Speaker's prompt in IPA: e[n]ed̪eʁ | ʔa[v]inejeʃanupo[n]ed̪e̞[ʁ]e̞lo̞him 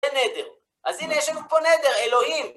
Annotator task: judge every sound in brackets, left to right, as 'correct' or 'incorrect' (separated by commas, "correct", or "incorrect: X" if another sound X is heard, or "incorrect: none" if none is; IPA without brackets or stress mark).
correct, incorrect: z, correct, correct